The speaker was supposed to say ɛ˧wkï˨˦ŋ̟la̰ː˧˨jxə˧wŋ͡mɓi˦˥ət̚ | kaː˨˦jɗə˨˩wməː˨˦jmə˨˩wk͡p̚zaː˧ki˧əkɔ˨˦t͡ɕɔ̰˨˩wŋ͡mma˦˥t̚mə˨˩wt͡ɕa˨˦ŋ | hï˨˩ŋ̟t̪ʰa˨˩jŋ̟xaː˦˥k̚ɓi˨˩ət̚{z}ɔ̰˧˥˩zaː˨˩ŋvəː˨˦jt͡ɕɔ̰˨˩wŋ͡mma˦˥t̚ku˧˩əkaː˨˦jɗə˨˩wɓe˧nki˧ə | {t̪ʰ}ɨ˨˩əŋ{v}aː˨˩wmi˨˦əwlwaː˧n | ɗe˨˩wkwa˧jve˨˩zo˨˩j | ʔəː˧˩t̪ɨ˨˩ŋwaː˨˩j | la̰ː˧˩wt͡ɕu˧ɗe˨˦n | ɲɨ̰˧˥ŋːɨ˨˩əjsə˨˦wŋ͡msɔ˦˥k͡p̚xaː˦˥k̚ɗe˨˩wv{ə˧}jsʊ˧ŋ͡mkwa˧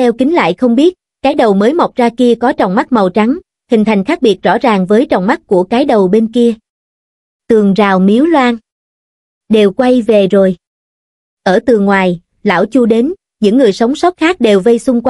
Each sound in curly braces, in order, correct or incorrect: correct, incorrect: t̪, incorrect: z, correct

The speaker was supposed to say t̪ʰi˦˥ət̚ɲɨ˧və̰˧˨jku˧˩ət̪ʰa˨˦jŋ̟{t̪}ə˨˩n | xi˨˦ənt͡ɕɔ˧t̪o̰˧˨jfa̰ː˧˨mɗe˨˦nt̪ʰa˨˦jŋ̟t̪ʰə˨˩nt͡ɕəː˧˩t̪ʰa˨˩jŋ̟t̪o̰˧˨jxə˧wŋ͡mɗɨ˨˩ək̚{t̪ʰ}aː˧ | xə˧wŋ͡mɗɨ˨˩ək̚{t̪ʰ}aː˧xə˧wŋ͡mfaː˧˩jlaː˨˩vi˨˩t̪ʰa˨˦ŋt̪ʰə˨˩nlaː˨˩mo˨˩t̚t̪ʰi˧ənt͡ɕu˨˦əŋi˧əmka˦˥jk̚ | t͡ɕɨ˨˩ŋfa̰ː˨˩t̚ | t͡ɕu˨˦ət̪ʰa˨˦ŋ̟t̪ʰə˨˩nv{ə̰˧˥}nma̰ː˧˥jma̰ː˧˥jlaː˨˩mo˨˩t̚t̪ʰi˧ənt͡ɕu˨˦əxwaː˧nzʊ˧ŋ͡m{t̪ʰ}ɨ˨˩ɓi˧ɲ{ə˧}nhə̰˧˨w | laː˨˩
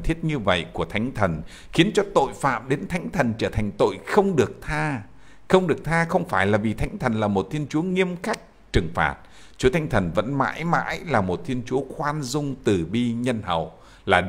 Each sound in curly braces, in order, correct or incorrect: incorrect: t̪ʰ, correct, correct, correct, incorrect: t̪, correct

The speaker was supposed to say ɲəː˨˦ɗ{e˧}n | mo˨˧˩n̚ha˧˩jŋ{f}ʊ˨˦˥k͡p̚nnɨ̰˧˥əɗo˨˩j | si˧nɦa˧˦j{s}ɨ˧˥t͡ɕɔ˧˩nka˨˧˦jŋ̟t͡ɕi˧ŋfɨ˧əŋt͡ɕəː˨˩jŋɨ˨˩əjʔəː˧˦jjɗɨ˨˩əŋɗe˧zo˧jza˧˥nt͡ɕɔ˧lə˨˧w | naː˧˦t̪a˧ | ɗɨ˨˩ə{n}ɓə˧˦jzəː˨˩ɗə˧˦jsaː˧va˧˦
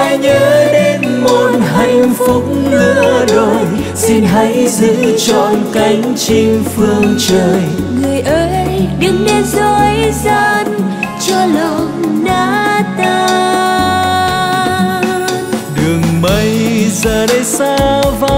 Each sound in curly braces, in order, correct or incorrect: correct, correct, incorrect: z, incorrect: ŋ

